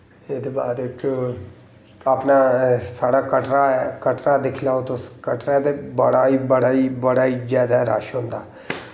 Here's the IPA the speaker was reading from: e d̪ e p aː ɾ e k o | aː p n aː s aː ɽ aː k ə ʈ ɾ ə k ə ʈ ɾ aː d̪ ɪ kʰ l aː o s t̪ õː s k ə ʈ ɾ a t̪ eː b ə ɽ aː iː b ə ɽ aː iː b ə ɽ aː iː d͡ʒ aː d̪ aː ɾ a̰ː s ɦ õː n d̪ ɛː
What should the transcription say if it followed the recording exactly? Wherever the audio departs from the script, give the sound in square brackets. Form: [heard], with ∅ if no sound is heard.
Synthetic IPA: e d̪ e [b] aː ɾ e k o | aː p n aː s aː ɽ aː k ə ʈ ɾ [a] k ə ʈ ɾ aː d̪ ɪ kʰ l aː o [∅] t̪ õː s k ə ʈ ɾ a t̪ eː b ə ɽ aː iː b ə ɽ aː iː b ə ɽ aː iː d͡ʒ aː d̪ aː ɾ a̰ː [ʃ] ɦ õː n d̪ [aː]